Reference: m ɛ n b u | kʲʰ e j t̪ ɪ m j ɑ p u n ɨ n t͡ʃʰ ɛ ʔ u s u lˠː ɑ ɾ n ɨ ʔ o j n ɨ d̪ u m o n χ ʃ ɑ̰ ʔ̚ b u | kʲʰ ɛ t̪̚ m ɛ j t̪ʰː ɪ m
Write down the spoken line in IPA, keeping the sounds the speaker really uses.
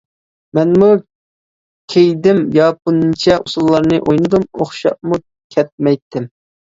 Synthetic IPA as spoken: m ɛ n m u | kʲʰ e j d̪ ɪ m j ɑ p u n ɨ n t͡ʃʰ ɛ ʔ u s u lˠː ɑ ɾ n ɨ ʔ o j n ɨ d̪ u m o χ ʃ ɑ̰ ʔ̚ m u | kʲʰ ɛ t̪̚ m ɛ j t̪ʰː ɪ m